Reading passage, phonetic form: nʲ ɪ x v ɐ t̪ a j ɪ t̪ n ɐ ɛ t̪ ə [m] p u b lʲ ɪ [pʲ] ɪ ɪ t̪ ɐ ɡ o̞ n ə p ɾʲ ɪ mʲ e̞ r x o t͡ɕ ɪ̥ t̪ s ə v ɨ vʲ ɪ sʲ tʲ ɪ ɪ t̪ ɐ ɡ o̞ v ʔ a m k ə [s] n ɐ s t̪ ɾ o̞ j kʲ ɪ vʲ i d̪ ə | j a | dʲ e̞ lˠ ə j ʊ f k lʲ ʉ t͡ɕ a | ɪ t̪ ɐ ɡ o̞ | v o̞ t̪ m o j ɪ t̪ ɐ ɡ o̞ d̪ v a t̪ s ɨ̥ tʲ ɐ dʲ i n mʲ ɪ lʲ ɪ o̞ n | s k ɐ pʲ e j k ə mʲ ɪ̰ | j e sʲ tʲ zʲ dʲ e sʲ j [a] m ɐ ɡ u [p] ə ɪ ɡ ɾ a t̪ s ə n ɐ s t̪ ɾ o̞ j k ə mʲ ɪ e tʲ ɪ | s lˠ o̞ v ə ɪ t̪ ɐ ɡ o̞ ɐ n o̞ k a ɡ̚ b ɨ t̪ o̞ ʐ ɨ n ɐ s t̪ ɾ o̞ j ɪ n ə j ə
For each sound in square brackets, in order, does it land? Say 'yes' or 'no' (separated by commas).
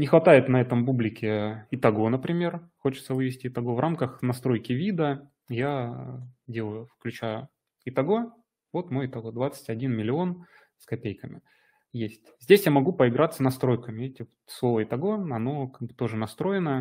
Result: yes, no, no, yes, yes